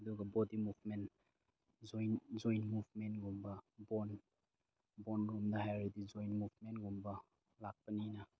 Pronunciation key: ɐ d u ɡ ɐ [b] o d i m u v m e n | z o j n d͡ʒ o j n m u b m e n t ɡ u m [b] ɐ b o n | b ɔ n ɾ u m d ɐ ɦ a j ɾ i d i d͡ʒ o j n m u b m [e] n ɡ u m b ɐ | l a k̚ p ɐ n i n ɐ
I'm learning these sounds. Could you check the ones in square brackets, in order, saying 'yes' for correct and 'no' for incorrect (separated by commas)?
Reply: yes, yes, yes